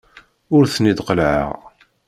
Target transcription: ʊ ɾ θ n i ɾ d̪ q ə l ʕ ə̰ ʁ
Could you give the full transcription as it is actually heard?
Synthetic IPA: ʊ ɾ θ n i d̪ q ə l ʕ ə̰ ʁ